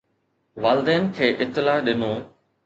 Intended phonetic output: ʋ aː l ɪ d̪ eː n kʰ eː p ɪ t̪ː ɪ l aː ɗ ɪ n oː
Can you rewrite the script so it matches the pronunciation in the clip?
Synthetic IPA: ʋ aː l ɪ d̪ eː n kʰ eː ʔ ɪ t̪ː ɪ l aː ɗ ɪ n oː